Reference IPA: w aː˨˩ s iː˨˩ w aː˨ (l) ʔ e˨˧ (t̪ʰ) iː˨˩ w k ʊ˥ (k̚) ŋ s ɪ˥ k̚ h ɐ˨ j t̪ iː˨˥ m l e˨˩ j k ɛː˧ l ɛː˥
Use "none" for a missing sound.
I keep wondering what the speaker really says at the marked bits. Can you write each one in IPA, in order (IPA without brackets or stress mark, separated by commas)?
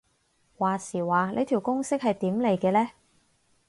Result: l, t̪ʰ, none